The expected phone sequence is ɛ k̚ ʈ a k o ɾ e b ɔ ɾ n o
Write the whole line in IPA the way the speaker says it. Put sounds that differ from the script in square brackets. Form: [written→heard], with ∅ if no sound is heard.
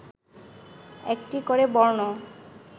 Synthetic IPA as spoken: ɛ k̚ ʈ [a→i] k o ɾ e b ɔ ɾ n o